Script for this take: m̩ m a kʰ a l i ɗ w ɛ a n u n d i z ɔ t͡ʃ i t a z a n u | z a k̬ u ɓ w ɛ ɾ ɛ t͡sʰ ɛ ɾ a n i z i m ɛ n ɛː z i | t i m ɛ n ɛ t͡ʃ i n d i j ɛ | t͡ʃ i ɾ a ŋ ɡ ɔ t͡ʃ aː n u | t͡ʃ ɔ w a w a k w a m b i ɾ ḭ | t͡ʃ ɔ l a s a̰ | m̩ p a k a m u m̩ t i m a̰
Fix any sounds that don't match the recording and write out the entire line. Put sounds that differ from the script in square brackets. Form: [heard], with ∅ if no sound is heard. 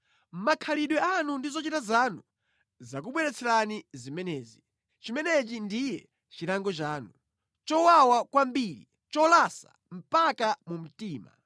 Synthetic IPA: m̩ m a kʰ a l i ɗ w ɛ a n u n d i z ɔ t͡ʃ i t a z a n u | z a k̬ u ɓ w ɛ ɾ ɛ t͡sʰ ɛ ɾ a n i z i m ɛ n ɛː z i | [t͡ʃ] i m ɛ n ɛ t͡ʃ i n d i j ɛ | t͡ʃ i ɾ a ŋ ɡ ɔ t͡ʃ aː n u | t͡ʃ ɔ w a w a k w a m b i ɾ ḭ | t͡ʃ ɔ l a s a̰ | m̩ p a k a m u m̩ t [iː] m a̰